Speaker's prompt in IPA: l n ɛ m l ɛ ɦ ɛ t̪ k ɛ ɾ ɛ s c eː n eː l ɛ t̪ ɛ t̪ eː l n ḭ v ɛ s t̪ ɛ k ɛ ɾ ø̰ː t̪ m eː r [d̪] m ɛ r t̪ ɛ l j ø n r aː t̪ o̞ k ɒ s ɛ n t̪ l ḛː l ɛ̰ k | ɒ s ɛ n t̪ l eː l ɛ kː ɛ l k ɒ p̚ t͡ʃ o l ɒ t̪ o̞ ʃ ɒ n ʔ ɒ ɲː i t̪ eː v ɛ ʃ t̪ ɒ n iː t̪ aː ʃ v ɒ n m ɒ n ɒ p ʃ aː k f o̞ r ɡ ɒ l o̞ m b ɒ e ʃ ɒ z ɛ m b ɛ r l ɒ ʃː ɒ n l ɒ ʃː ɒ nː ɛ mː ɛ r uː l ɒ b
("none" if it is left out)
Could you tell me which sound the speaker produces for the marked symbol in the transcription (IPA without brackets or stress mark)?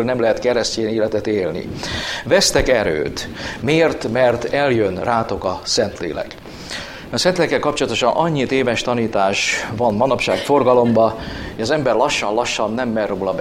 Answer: t̪